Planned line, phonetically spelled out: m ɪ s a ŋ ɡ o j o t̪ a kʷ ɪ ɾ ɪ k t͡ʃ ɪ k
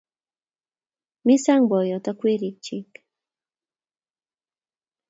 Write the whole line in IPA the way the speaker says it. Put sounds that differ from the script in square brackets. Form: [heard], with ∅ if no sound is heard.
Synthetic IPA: m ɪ s a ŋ [b] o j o t̪ a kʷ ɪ ɾ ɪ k t͡ʃ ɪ k